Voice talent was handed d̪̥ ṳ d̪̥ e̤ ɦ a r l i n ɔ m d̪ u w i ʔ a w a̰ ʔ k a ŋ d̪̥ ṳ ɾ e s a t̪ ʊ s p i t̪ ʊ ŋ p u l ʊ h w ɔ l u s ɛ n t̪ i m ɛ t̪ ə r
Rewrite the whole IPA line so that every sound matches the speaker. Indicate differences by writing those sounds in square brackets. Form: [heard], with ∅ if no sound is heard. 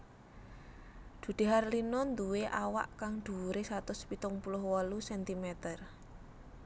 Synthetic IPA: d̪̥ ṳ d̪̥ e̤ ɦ a r l i n ɔ [n] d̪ u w [e] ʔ a w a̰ ʔ k a ŋ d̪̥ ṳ ɾ e s a t̪ ʊ s p i t̪ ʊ ŋ p u l ʊ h w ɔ l u s ɛ n t̪ i m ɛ t̪ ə r